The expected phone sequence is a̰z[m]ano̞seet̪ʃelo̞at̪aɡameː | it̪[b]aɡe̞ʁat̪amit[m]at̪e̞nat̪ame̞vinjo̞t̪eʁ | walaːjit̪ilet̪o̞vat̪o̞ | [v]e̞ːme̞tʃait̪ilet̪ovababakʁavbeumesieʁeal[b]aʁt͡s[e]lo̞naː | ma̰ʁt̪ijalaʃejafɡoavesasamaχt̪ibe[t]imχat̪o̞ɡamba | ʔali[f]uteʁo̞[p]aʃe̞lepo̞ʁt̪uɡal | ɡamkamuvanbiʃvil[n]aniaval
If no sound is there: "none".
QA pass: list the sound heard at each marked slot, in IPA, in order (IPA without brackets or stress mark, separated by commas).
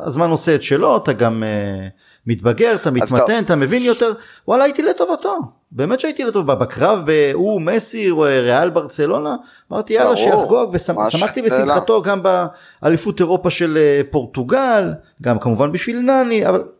m, b, m, b, b, e, s, f, p, n